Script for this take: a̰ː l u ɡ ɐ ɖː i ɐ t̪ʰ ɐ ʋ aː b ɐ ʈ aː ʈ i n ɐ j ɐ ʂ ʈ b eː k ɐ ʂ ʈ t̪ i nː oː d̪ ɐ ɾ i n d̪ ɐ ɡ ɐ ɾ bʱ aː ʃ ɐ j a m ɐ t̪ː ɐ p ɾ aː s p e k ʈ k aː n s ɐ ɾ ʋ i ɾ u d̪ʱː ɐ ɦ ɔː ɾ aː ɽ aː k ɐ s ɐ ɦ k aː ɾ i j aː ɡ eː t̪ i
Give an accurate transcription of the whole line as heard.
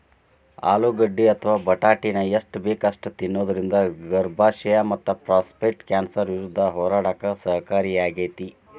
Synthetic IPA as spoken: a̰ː l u ɡ ɐ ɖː i ɐ t̪ʰ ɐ ʋ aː b ɐ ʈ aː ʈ i n ɐ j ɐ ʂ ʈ b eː k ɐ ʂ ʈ t̪ i nː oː d̪ ɐ ɾ i n d̪ ɐ ɡ ɐ ɾ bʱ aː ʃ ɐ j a m ɐ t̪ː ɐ p ɾ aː s p e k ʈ k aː n s ɐ ɾ ʋ i ɾ u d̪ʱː ɐ ɦ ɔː ɾ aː ɽ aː k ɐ s ɐ ɦ k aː ɾ i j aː ɡ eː t̪ i